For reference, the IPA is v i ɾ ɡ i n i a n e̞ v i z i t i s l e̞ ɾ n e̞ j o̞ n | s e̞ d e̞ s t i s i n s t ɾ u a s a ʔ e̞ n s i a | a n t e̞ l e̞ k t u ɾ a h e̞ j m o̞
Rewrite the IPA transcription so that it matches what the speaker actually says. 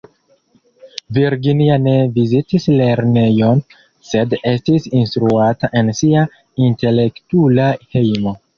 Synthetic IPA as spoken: v i ɾ ɡ i n i a n e̞ v i z i t i s l e̞ ɾ n e̞ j o̞ n | s e̞ d e̞ s t i s i n s t ɾ u a t a ʔ e̞ n s i a | i n t e̞ l e̞ k t u l a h e̞ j m o̞